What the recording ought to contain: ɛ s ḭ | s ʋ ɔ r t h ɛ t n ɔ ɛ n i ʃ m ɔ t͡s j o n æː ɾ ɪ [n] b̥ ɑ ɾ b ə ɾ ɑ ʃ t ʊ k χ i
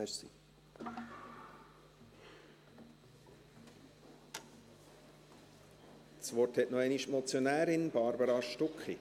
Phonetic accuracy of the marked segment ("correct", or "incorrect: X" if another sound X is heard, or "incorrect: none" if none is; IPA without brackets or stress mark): correct